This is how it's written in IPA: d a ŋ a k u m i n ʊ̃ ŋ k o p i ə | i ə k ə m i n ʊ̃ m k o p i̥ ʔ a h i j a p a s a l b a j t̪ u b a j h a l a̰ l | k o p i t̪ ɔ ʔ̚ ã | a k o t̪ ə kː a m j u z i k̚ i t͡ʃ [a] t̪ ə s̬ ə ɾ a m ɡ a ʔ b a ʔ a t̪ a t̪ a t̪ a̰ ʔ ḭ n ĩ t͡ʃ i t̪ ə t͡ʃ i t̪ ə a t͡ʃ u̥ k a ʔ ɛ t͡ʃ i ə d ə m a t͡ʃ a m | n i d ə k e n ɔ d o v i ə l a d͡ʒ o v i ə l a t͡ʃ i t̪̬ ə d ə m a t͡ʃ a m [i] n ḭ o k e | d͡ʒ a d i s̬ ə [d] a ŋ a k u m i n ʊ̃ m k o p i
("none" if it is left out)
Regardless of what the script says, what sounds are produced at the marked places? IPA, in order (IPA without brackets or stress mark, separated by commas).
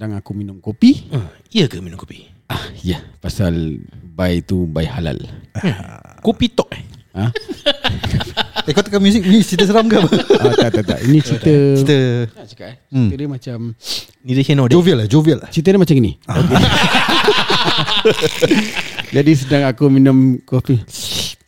i, i, d